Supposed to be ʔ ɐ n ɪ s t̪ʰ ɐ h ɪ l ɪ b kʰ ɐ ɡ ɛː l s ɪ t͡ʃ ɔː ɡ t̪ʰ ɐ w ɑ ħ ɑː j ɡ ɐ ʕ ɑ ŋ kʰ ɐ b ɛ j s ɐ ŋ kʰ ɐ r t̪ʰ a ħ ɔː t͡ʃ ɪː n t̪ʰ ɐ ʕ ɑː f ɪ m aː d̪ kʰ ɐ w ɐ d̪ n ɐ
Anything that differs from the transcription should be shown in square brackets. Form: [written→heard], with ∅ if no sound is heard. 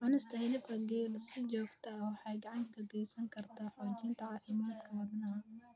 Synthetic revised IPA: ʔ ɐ n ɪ s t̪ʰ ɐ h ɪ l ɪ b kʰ ɐ ɡ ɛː l s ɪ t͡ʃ ɔː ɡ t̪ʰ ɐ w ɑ ħ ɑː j ɡ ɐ ʕ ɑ ŋ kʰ ɐ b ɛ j s ɐ ŋ kʰ ɐ r t̪ʰ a ħ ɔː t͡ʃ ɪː n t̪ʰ ɐ ʕ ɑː f ɪ m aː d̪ kʰ ɐ w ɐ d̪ n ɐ